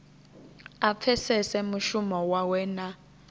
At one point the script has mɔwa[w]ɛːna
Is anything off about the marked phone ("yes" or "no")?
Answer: no